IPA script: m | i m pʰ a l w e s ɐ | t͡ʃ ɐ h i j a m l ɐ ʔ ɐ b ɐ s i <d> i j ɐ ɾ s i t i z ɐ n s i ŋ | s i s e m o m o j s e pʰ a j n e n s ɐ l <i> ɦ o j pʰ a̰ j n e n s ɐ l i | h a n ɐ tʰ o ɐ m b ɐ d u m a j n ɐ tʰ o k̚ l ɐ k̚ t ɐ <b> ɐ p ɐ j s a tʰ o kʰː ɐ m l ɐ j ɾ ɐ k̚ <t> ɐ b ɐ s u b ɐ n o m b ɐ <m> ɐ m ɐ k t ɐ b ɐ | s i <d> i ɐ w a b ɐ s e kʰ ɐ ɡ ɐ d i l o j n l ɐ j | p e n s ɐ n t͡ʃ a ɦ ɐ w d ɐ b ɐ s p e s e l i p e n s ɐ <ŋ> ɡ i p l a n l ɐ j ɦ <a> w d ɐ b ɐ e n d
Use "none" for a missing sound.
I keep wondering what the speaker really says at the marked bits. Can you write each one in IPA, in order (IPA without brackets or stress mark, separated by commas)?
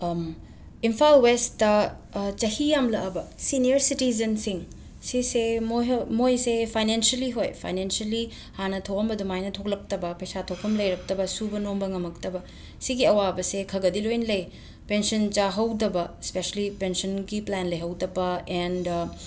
n, i, b, t, ŋ, ɡ, n, ɐ